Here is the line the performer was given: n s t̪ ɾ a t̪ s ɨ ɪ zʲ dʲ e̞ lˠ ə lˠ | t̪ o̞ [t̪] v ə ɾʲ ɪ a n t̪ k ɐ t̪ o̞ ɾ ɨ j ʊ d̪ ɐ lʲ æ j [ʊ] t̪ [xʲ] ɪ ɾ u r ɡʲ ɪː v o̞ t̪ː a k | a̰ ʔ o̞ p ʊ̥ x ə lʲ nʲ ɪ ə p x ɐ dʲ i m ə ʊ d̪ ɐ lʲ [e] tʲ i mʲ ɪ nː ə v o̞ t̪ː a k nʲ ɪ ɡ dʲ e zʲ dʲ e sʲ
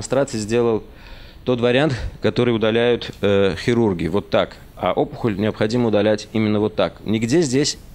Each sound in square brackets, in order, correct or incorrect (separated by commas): correct, correct, correct, incorrect